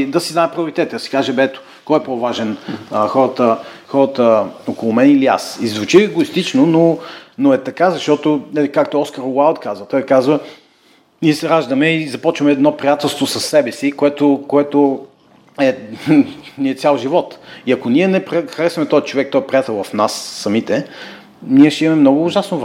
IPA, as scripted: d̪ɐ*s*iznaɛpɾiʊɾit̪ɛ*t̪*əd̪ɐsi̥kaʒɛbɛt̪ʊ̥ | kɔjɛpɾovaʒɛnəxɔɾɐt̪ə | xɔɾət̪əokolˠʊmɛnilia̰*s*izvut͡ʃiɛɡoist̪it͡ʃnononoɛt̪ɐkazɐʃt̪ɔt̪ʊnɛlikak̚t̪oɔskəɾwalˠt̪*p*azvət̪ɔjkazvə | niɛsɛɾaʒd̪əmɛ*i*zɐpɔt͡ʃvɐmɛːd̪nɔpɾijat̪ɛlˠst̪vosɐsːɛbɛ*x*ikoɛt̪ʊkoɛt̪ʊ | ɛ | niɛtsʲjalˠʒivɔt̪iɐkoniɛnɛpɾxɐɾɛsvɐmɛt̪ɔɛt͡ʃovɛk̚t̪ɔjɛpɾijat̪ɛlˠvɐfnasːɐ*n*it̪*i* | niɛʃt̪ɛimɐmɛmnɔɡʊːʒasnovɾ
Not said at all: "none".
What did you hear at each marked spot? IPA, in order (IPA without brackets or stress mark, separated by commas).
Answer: s, t̪, s, k, i, s, m, ɛ